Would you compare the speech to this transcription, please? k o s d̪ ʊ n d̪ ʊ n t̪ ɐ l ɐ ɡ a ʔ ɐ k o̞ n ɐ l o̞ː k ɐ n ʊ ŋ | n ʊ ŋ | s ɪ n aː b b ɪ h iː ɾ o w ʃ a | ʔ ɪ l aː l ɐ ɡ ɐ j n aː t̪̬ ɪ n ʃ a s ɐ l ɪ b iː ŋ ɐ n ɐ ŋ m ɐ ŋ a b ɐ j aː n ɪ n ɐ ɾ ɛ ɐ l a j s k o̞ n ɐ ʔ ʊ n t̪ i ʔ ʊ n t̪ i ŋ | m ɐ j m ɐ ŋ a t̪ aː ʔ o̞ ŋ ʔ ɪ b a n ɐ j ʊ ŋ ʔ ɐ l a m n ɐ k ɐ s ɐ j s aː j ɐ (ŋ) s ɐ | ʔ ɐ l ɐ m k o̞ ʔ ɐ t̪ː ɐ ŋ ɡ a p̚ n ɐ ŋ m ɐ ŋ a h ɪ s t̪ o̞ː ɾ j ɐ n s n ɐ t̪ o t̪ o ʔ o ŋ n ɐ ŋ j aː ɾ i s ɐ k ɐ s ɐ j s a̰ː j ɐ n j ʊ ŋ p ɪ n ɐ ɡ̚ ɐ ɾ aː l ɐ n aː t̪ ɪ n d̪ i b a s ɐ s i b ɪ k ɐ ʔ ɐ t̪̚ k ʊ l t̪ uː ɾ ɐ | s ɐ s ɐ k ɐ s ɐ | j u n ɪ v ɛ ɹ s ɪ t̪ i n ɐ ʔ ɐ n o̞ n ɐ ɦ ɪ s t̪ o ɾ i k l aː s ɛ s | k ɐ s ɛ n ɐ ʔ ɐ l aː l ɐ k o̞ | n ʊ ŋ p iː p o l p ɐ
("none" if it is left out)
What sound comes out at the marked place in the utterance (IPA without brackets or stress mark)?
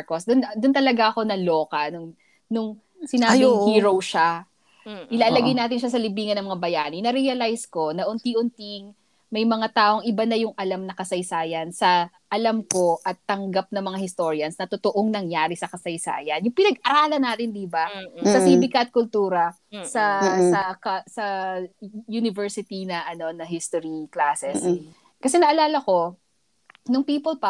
n